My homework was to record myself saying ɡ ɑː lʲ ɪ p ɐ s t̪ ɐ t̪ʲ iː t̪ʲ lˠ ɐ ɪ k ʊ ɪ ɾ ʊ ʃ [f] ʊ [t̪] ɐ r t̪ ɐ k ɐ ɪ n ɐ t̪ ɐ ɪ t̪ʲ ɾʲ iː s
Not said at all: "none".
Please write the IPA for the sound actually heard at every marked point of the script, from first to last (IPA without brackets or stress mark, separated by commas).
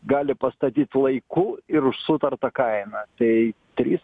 s, t̪